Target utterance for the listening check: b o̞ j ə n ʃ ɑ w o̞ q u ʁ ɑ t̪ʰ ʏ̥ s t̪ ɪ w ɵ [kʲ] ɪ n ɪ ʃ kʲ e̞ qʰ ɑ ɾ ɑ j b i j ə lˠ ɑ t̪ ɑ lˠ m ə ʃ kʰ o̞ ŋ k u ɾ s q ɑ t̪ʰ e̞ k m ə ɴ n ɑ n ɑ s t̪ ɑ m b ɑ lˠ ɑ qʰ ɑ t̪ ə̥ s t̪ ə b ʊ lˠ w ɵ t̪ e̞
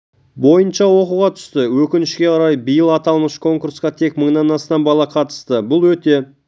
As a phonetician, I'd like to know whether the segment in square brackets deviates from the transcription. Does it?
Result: no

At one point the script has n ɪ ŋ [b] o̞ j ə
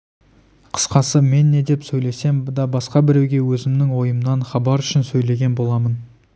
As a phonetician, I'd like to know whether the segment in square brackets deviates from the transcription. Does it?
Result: yes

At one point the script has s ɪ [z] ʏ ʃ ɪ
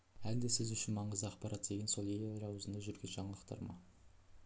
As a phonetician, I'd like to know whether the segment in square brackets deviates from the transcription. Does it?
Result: no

